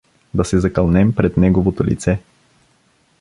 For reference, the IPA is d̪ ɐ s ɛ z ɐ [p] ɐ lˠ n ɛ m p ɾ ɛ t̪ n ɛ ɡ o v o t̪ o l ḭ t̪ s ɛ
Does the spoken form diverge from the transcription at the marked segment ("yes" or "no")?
yes